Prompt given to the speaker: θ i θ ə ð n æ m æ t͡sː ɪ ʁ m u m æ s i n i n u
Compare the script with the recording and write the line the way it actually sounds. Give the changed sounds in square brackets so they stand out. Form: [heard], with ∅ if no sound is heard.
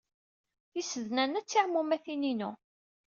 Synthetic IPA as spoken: θ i [s] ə ð n æ [n] æ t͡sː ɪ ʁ m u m æ [θ] i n i n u